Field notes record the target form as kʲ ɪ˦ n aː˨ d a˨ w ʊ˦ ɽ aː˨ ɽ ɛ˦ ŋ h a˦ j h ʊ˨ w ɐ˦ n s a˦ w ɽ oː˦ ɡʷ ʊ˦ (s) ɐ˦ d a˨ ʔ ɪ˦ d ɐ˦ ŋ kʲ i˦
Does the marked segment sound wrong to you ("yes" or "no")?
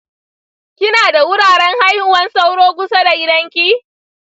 no